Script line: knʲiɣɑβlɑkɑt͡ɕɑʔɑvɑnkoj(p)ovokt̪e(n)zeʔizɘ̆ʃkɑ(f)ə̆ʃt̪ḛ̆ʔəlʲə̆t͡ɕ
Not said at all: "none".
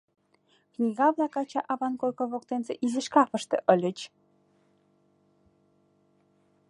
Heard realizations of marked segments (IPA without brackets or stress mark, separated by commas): k, n, f